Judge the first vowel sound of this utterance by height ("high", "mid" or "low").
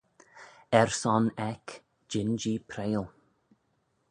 mid